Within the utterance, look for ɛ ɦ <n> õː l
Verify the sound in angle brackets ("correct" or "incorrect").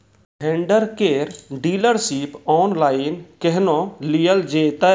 correct